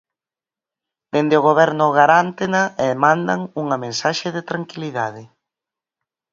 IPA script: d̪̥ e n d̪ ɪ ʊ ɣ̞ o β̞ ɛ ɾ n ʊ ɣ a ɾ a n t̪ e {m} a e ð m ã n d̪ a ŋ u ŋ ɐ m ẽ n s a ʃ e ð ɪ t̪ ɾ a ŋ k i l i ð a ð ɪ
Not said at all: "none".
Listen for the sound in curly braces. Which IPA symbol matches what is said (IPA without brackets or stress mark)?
n